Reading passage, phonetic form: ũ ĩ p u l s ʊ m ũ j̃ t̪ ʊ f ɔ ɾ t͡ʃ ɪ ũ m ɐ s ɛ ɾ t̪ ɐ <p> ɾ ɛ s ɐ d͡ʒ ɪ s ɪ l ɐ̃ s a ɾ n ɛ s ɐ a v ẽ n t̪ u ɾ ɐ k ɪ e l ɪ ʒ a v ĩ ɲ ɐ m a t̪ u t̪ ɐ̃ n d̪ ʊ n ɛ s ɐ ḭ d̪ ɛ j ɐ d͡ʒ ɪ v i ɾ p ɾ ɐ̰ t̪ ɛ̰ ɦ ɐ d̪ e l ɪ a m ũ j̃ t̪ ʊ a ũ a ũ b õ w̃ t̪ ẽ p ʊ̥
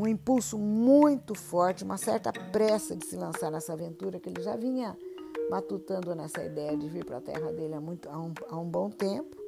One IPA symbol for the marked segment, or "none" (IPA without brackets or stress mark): p